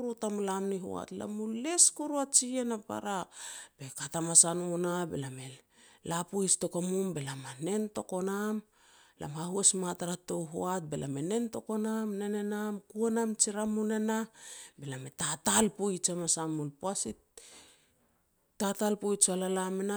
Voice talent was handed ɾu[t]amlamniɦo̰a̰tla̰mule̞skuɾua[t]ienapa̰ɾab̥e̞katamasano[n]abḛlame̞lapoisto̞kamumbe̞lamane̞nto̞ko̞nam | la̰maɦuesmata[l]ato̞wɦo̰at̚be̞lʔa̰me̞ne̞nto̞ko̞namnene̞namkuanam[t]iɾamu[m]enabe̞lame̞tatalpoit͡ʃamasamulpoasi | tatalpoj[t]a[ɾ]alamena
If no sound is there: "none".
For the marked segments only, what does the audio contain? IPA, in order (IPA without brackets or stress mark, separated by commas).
t, t͡ʃ, n, ɾ, t͡ʃ, n, t͡ʃ, l